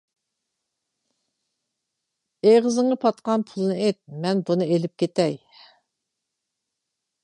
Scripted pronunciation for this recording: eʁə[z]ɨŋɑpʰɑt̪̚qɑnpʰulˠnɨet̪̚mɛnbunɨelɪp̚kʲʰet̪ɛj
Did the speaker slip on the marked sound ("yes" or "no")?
no